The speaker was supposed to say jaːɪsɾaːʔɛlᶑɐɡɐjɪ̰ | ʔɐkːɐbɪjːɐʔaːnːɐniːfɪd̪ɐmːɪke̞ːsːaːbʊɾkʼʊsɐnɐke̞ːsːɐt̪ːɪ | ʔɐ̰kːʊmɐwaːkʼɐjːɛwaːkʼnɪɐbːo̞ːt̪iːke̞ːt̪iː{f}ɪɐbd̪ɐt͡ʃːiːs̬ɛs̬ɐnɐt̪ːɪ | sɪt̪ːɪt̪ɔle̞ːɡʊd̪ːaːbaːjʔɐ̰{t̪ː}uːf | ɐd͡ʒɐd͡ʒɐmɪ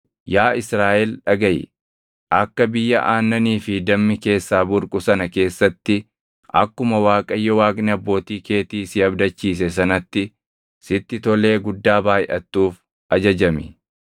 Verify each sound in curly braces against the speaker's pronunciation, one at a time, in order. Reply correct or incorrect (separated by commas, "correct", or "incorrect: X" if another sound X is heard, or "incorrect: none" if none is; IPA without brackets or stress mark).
incorrect: s, correct